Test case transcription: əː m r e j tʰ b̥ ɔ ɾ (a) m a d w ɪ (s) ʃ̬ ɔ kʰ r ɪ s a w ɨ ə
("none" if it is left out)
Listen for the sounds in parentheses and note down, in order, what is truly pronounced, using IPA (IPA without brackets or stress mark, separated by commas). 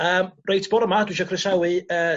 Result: ə, none